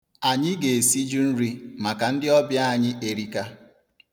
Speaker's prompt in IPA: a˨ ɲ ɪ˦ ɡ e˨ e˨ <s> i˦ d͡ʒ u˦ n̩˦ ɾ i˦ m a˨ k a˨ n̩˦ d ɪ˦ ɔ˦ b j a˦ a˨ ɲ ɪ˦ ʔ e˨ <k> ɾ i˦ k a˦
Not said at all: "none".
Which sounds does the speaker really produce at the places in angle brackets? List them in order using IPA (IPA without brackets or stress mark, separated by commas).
s, none